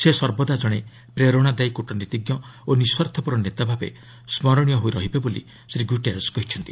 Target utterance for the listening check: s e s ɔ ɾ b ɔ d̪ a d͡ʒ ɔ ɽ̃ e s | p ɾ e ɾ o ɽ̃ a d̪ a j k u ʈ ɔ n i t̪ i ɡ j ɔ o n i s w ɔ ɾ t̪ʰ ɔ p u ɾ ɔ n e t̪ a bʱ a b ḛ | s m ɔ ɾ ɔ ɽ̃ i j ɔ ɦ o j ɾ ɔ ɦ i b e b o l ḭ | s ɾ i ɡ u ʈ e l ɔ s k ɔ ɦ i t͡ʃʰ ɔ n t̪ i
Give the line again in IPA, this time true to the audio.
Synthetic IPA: s e s ɔ ɾ b ɔ d̪ a d͡ʒ ɔ ɽ̃ e | p ɾ e ɾ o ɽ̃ a d̪ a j k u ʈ ɔ n i t̪ i ɡ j ɔ o n i s w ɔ ɾ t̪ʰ ɔ p u ɾ ɔ n e t̪ a bʱ a b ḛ | s m ɔ ɾ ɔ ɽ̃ i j ɔ ɦ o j ɾ ɔ ɦ i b e b o l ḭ | s ɾ i ɡ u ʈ e ɾ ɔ s k ɔ ɦ i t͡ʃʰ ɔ n t̪ i